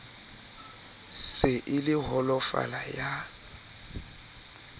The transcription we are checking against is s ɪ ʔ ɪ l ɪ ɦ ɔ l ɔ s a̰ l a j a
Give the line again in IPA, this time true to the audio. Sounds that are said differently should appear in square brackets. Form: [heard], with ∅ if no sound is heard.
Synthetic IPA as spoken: s ɪ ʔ ɪ l ɪ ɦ ɔ l ɔ [f] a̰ l a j a